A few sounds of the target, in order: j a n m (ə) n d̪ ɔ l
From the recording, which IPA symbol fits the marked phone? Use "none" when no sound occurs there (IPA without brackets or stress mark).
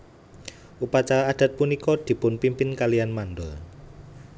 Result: a